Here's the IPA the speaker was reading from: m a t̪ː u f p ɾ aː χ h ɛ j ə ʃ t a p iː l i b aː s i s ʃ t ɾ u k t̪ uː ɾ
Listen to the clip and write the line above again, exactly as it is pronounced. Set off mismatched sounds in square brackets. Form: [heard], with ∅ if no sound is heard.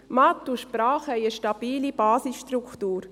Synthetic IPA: m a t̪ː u [ʃ] p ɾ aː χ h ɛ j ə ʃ t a [b] iː l i b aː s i s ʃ t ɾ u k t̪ uː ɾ